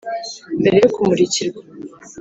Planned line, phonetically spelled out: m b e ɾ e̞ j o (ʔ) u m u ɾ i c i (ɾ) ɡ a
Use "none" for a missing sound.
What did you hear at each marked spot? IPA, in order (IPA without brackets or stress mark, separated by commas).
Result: k, ɾ